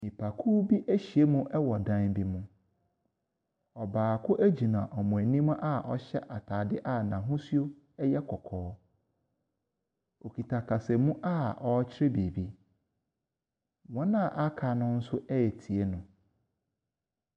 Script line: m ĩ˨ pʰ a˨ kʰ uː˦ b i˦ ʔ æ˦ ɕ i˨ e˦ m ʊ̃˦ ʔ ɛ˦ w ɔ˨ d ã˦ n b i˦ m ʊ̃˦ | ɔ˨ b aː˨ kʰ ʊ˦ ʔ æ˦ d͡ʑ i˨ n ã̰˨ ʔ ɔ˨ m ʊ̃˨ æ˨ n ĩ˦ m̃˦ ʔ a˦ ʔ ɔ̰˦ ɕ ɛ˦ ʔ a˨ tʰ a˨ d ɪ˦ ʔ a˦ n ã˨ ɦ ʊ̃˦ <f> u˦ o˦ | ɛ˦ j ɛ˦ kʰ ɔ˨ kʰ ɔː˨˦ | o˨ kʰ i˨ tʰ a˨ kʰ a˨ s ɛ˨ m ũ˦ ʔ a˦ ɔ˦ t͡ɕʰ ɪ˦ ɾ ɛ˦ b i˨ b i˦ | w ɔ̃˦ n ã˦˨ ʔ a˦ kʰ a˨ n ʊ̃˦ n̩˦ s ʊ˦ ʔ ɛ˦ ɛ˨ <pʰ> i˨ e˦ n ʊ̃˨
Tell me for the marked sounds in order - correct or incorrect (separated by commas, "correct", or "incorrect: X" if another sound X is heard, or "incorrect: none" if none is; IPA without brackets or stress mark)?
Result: incorrect: s, incorrect: tʰ